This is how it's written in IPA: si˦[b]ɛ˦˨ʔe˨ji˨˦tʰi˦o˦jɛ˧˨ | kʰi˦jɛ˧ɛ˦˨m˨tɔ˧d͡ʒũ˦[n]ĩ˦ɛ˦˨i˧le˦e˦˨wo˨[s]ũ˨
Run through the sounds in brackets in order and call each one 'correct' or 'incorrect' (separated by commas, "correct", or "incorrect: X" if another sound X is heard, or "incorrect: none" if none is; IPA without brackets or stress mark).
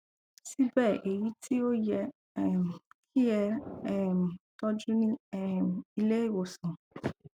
correct, correct, correct